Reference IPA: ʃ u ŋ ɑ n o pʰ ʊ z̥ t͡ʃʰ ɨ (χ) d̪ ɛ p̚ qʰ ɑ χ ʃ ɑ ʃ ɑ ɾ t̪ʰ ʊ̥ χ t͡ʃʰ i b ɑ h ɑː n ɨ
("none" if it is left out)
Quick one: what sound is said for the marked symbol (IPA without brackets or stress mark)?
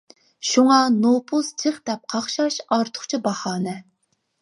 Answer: χ